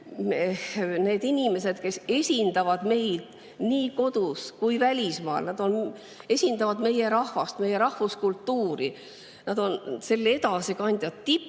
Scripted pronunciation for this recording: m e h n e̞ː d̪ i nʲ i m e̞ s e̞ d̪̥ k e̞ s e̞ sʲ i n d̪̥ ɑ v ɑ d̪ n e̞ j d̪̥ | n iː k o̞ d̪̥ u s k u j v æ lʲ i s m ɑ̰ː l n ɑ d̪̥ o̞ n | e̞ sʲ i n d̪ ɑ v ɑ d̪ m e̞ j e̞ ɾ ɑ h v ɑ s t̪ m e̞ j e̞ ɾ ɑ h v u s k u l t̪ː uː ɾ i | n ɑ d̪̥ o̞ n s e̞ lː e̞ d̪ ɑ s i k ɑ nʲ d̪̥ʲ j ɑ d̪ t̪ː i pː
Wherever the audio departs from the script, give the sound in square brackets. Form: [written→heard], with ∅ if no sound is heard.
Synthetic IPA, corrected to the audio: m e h n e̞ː d̪ i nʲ i m e̞ s e̞ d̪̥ k e̞ s e̞ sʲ i n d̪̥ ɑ v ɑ d̪ [n→m] e̞ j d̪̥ | n iː k o̞ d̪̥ u s k u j v æ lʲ i s m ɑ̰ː l n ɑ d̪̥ o̞ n | e̞ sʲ i n d̪ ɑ v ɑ d̪ m e̞ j e̞ ɾ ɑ h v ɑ s t̪ m e̞ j e̞ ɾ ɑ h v u s k u l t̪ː uː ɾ i | n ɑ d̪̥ o̞ n s e̞ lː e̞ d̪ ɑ s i k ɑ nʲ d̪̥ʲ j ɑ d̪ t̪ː i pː